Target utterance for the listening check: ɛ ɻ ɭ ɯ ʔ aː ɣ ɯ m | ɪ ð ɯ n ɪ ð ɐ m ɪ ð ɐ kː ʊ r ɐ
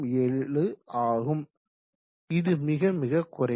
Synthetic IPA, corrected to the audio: ɛ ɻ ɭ ɯ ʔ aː ɣ ɯ m | ɪ ð ɯ m ɪ ɣ ɐ m ɪ ɣ ɐ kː ʊ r ɐ